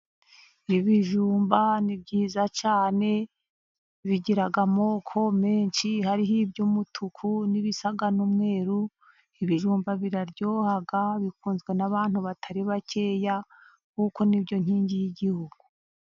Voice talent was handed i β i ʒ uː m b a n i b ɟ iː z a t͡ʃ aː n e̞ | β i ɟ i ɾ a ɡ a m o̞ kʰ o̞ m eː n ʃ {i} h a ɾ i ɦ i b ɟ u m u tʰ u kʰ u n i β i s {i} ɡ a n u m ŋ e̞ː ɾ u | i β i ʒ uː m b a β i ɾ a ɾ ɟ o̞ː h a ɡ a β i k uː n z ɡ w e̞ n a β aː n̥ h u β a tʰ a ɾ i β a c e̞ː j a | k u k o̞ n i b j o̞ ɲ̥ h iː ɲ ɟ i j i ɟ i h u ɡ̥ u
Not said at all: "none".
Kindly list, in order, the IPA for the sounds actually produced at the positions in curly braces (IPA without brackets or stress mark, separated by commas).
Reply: i, a